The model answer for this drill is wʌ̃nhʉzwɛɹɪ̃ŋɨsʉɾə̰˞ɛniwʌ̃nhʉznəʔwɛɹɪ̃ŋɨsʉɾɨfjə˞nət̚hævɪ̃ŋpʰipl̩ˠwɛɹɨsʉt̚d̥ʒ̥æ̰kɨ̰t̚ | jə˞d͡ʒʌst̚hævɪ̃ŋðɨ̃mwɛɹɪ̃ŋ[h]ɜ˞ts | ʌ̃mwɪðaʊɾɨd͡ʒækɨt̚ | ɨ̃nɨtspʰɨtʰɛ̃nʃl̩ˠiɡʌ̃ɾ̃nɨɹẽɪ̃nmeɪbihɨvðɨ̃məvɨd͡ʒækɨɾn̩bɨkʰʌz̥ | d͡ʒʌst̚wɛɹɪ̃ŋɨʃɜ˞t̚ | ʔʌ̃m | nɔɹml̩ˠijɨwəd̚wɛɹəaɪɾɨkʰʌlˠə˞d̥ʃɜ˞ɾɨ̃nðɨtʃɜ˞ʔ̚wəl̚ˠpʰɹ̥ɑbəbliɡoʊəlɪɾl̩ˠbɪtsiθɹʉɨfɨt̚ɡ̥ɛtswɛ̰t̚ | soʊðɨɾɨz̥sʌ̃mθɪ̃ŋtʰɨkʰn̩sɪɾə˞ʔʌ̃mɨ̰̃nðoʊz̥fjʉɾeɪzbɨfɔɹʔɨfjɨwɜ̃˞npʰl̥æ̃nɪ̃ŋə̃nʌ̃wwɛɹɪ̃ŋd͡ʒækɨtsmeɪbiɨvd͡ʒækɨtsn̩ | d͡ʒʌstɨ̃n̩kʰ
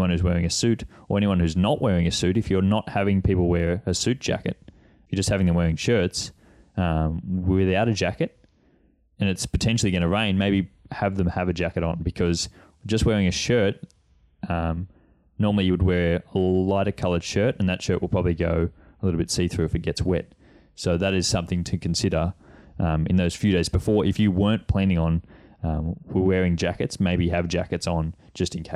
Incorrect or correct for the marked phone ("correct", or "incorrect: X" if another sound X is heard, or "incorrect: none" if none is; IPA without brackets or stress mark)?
incorrect: ʃ